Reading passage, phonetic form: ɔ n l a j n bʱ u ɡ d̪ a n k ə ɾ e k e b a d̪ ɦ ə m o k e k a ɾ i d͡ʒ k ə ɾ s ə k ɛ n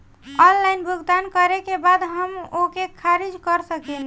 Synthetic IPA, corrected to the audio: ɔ n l a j n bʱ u ɡ d̪ a n k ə ɾ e k e b a d̪ ɦ ə m o k e kʰ a ɾ i d͡ʒ k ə ɾ s ə k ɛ n